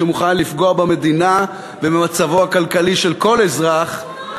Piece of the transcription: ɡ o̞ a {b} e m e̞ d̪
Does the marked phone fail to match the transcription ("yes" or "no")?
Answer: no